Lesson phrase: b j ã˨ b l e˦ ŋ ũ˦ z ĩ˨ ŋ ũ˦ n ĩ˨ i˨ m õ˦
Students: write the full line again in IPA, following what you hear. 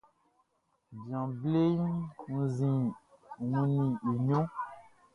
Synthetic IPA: b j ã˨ b l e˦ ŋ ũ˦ z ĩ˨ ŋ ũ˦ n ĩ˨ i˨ ɲ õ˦